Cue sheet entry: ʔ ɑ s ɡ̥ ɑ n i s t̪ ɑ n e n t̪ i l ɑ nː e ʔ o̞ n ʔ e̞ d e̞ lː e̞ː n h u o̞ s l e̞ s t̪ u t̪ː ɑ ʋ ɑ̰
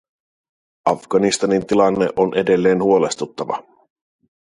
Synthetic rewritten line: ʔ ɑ f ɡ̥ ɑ n i s t̪ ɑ n i n t̪ i l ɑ nː e ʔ o̞ n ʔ e̞ d e̞ lː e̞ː n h u o̞ l e̞ s t̪ u t̪ː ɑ ʋ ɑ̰